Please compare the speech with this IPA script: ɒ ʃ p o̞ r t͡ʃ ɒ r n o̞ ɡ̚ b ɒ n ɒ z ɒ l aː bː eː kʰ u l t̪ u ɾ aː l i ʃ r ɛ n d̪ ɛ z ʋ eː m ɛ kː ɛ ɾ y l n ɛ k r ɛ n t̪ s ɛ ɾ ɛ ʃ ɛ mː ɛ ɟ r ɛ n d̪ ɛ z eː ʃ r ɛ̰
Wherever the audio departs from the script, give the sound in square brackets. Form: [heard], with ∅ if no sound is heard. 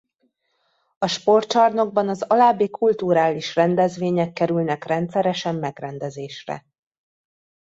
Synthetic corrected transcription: ɒ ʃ p o̞ r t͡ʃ ɒ r n o̞ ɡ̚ b ɒ n ɒ z ɒ l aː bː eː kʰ u l t̪ u ɾ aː l i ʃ r ɛ n d̪ ɛ z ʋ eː [ɲ] ɛ kː ɛ ɾ y l n ɛ k r ɛ n t̪ s ɛ ɾ ɛ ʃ ɛ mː ɛ [ɡ] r ɛ n d̪ ɛ z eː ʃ r ɛ̰